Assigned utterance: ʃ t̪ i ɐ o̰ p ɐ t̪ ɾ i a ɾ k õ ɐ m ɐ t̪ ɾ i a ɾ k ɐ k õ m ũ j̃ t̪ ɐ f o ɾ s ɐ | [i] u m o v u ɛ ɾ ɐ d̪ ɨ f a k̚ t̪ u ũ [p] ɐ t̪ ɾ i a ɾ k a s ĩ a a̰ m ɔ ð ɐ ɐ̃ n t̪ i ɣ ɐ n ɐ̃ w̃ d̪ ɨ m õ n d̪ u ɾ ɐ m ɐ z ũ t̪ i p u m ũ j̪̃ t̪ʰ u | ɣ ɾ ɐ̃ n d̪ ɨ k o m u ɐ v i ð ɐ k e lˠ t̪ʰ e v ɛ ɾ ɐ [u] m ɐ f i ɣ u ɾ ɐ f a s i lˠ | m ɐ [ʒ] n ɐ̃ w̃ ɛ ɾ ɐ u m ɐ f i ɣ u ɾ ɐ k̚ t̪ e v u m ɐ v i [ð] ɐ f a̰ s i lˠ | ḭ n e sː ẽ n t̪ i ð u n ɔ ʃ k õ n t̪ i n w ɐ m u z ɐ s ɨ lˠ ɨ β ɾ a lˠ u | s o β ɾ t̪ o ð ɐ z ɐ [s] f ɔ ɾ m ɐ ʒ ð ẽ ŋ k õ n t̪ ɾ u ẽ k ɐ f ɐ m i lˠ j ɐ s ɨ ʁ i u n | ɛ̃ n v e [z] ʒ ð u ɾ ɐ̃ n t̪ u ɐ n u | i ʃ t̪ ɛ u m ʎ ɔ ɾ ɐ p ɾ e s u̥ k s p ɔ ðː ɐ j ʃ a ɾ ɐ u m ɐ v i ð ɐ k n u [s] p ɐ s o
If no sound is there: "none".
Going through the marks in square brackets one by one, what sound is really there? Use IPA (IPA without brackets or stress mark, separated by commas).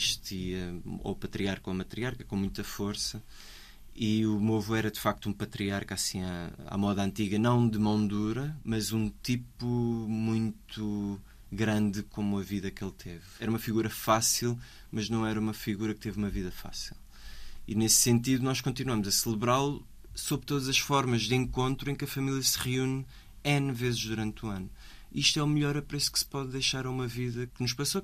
i, p, u, ʒ, ð, ʃ, z, ʃ